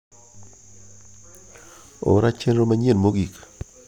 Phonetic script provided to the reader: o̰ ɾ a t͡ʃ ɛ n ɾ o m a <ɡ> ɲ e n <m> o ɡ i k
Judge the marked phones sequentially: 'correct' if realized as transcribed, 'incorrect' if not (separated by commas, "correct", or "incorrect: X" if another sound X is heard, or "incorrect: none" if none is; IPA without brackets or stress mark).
incorrect: none, correct